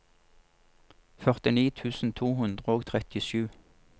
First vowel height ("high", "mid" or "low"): mid